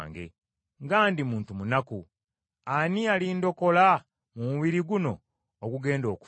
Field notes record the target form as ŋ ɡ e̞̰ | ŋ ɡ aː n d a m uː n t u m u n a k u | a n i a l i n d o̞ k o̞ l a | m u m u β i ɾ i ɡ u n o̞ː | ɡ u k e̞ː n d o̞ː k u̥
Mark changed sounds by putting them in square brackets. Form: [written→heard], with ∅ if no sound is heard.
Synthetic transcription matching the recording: ŋ ɡ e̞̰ | ŋ ɡ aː n d [a→i] m uː n t u m u n a k u | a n i a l i n d o̞ k o̞ l a | m u m u β i ɾ i ɡ u n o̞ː | ɡ u [k→ɡ] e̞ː n d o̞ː k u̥